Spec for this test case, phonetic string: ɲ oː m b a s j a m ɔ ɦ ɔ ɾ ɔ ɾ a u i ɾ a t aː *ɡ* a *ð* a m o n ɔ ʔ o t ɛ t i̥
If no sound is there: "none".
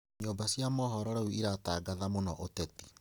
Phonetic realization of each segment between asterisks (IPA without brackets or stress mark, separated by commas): ɡ, ð